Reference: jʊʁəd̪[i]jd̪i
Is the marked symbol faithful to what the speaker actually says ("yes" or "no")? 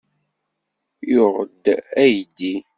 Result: no